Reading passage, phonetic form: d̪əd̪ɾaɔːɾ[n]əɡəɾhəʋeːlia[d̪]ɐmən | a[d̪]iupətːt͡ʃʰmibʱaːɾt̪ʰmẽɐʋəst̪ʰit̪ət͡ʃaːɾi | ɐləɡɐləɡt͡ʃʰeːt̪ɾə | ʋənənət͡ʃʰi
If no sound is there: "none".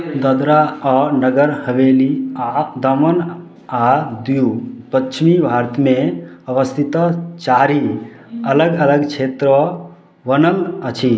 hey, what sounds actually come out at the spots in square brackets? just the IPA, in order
n, d̪, d̪

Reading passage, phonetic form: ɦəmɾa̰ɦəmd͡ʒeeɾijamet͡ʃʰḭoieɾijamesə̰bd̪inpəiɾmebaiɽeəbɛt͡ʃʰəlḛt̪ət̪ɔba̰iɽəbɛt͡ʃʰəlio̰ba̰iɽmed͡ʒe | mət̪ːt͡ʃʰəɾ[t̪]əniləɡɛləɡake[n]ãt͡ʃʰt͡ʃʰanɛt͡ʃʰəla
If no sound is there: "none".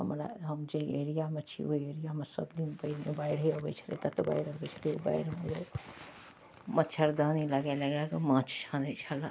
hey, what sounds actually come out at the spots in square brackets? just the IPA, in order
d̪, m

